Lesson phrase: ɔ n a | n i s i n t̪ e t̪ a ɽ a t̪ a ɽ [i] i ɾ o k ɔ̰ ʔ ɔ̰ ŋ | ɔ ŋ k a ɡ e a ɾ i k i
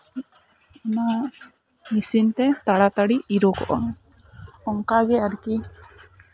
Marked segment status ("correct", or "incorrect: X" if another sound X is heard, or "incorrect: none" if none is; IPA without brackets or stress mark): correct